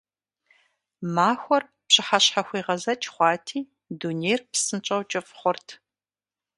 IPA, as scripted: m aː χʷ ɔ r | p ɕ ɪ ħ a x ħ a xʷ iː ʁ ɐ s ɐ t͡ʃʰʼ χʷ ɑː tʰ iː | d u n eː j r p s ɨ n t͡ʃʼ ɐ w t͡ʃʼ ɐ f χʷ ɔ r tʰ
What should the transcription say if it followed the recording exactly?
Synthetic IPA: m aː xʷ ɔ r | p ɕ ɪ ħ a ɕ ħ a xʷ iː ʁ ɐ z ɐ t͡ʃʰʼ χʷ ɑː tʰ iː | d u n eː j r p s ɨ n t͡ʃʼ ɐ w t͡ʃʼ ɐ f χʷ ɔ r tʰ

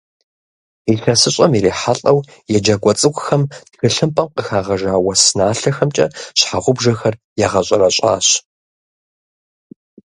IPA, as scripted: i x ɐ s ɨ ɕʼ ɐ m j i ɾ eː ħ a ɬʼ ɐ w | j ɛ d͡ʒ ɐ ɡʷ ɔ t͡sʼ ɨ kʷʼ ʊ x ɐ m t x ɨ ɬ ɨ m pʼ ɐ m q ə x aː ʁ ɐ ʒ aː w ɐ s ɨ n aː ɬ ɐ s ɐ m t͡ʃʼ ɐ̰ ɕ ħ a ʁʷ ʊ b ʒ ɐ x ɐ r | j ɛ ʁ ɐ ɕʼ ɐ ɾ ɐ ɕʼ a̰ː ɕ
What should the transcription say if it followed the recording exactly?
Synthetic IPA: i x ɐ s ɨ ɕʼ ɐ m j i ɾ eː ħ a ɬʼ ɐ w | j ɛ d͡ʒ ɐ ɡʷ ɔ t͡sʼ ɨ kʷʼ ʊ x ɐ m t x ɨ ɬ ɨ m pʼ ɐ m q ə x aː ʁ ɐ ʒ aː w ɐ s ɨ n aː ɬ ɐ x ɐ m t͡ʃʼ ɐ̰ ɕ ħ a ʁʷ ʊ b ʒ ɐ x ɐ r | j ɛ ʁ ɐ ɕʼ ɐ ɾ ɐ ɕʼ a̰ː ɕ

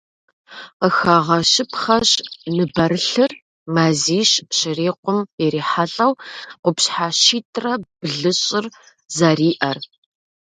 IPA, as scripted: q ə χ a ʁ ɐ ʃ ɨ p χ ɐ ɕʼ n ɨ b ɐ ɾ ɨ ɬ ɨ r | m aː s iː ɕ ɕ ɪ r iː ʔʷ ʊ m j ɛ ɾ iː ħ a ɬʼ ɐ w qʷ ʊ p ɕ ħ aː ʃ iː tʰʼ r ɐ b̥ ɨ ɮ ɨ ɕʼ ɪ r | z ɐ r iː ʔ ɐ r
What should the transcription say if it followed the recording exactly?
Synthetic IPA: q ə x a ʁ ɐ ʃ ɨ p χ ɐ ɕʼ n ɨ b ɐ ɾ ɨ ɬ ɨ r | m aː z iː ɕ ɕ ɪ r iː qʷ ʊ m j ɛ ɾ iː ħ a ɬʼ ɐ w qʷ ʊ p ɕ ħ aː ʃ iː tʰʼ r ɐ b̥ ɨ ɮ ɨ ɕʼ ɪ r | z ɐ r iː ʔ ɐ r

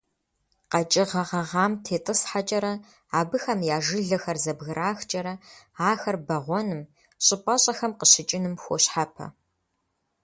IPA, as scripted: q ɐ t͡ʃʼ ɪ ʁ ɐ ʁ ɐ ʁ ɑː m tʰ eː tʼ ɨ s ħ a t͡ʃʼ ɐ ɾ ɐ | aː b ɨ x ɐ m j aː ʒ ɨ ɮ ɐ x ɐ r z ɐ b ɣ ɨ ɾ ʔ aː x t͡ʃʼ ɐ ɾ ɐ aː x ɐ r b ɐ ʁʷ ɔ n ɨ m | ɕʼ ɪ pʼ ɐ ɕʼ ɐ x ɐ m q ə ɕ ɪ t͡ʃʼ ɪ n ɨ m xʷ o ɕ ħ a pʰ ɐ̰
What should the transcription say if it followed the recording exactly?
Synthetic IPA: q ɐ t͡ʃʼ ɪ ʁ ɐ ʁ ɐ ʁ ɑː m tʰ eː tʼ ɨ s ħ a t͡ʃʼ ɐ ɾ ɐ | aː b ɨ x ɐ m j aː ʒ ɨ ɮ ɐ x ɐ r z ɐ b ɣ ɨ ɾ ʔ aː x t͡ʃʼ ɐ ɾ ɐ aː x ɐ r b ɐ ʁʷ ɔ n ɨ m | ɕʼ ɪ pʼ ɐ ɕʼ ɐ x ɐ m q ə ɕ ɪ t͡ʃʼ ɪ n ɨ m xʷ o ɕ ħ a pʰ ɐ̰

